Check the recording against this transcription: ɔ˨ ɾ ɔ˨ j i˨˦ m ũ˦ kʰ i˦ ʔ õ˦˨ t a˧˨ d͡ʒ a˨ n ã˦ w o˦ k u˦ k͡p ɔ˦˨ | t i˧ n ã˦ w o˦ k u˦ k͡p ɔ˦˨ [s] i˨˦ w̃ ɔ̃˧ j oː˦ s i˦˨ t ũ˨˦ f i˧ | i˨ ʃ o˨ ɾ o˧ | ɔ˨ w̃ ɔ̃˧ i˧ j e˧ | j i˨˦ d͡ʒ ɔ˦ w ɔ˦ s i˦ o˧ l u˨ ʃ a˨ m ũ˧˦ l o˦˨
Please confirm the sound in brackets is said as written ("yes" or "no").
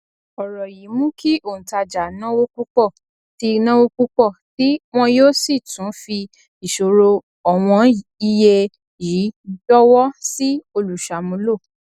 no